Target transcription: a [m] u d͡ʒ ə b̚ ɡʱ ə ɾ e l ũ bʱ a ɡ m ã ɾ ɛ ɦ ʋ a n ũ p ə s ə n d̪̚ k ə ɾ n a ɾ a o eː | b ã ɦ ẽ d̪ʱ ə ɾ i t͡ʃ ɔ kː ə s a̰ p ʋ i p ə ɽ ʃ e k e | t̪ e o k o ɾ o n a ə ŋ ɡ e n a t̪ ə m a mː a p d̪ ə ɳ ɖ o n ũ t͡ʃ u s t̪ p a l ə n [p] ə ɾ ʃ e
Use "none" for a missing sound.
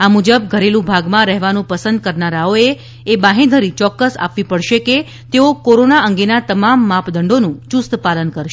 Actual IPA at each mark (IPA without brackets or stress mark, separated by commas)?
m, k